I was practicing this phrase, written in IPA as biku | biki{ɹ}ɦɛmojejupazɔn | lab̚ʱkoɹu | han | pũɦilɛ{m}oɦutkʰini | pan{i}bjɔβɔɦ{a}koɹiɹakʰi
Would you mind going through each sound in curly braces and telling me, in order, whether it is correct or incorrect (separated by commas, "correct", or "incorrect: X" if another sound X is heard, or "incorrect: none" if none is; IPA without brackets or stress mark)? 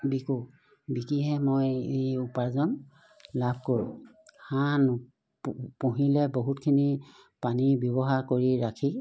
incorrect: none, incorrect: b, correct, correct